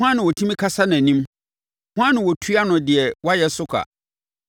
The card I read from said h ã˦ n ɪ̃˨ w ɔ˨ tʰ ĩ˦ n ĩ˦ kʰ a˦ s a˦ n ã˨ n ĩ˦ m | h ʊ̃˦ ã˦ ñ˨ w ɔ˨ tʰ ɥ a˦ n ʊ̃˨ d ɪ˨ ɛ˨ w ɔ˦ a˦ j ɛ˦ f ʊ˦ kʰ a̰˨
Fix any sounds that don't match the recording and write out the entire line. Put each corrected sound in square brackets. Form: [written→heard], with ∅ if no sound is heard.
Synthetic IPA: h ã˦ n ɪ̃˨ w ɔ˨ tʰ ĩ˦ [n→m] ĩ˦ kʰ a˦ s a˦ n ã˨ n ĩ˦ m | h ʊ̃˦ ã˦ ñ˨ w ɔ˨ tʰ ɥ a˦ n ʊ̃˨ d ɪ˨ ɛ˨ w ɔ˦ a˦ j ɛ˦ [f→s] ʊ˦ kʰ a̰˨

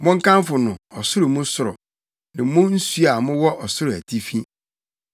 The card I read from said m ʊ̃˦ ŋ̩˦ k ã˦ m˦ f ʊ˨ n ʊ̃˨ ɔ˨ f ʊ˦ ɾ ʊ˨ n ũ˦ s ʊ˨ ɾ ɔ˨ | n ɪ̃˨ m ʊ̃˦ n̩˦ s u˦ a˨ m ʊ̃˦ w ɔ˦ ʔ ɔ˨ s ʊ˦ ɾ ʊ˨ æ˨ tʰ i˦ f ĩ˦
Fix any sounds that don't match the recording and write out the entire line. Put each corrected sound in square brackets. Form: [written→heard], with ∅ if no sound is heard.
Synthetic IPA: m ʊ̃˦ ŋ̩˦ k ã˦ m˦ f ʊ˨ n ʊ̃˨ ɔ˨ [f→s] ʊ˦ ɾ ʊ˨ [n→m] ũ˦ s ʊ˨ ɾ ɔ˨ | n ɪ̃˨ m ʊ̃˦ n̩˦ s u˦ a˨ m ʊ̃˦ w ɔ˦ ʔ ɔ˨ s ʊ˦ ɾ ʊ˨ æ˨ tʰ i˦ f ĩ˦

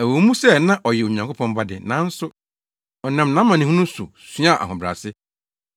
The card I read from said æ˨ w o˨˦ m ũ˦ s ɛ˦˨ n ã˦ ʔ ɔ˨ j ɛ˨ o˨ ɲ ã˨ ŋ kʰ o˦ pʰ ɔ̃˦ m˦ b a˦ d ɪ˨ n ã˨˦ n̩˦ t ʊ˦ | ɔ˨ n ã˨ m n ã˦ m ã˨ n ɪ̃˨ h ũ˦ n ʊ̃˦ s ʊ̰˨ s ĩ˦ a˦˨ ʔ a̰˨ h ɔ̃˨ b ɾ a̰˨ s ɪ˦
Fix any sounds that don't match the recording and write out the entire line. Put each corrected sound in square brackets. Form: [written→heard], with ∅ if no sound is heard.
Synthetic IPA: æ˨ w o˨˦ m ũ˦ s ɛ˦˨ n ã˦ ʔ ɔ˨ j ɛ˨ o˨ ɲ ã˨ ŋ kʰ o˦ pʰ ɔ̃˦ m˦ b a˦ d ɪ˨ n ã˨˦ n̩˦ [t→s] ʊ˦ | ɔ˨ n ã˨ m n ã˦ m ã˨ n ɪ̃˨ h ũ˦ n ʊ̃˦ s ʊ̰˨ s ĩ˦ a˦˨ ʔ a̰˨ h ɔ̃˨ b ɾ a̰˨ s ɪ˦

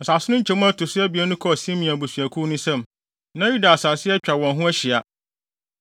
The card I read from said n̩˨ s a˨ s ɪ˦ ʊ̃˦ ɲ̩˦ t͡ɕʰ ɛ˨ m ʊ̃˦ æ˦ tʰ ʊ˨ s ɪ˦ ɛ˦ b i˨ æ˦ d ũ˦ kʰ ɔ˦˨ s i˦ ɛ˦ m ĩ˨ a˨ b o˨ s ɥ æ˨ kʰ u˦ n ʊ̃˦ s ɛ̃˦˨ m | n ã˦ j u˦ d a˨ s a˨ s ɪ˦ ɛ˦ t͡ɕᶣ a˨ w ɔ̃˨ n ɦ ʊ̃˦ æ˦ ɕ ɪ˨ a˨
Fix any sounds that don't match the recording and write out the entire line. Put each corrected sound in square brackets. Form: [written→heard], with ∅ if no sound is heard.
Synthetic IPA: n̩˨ s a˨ s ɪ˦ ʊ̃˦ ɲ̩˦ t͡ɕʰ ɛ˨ m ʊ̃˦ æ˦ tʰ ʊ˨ s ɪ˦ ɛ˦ b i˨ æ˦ [d→n] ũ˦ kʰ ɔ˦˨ s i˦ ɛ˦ m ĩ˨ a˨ b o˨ s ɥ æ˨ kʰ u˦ n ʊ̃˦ s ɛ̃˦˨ m | n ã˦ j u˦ d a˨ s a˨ s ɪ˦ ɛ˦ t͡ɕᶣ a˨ w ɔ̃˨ n ɦ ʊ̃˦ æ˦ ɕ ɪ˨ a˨

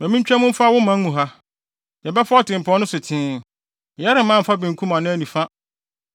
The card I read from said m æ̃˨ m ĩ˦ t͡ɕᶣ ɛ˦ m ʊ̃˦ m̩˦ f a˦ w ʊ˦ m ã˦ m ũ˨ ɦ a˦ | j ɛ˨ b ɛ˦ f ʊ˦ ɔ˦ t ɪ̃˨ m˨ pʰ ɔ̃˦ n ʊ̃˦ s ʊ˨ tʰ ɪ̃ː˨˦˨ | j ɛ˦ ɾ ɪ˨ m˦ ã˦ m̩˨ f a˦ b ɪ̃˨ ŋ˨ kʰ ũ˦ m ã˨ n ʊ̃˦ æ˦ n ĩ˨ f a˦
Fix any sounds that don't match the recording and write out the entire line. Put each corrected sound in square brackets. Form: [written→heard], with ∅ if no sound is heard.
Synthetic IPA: m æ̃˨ m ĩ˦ t͡ɕᶣ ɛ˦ m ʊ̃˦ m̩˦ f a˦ w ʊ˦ m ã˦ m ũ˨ ɦ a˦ | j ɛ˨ b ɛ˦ f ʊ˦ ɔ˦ t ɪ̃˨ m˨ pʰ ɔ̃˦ n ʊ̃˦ s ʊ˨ tʰ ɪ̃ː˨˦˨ | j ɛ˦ ɾ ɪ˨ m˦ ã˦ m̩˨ f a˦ b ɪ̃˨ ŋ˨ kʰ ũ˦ m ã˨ n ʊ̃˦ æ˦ n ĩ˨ f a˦

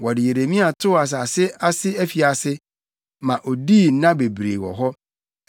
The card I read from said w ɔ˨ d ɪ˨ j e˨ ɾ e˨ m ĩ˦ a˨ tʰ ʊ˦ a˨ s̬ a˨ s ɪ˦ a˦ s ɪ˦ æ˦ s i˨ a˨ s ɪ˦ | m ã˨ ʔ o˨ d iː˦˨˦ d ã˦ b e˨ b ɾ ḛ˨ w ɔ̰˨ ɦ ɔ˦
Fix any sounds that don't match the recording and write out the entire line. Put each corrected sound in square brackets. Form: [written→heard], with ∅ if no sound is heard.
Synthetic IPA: w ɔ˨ d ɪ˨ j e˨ ɾ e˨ m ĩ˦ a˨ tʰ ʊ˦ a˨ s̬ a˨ s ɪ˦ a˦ s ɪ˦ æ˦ [s→f] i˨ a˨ s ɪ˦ | m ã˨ ʔ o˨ d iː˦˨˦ [d→n] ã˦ b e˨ b ɾ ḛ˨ w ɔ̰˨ ɦ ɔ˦

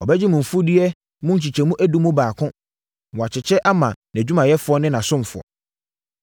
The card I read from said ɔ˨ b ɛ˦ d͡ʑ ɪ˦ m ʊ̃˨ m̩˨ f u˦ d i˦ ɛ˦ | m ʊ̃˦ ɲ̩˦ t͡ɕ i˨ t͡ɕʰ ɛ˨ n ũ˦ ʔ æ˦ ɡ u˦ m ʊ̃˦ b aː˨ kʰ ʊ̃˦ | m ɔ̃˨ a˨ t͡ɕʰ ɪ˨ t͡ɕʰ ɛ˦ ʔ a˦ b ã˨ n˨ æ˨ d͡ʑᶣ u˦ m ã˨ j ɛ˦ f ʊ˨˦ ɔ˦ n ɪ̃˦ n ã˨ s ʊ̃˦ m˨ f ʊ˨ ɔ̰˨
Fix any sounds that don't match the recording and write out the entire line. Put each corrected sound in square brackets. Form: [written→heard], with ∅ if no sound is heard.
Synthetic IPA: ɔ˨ b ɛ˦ d͡ʑ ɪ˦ m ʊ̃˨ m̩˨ f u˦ d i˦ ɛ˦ | m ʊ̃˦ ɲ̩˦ t͡ɕ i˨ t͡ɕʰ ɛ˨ [n→m] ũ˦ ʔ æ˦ [ɡ→d] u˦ m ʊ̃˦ b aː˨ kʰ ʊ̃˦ | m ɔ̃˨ a˨ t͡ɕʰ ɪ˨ t͡ɕʰ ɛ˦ ʔ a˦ [b→m] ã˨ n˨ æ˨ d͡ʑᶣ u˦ m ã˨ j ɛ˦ f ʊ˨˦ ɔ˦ n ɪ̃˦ n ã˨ s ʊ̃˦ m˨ f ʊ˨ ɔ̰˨

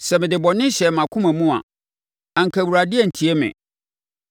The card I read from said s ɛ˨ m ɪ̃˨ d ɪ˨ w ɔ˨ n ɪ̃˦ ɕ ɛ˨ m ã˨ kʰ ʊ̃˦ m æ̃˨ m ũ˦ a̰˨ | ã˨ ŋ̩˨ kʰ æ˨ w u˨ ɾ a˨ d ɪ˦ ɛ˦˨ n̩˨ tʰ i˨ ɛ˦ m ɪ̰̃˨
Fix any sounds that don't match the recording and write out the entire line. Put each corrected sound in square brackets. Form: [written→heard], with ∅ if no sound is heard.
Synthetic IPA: s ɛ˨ m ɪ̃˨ d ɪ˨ [w→b] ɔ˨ n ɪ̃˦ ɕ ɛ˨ m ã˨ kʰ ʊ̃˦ m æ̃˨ m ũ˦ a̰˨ | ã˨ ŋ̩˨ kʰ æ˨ w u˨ ɾ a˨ d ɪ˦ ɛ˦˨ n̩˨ tʰ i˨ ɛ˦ m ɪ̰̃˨

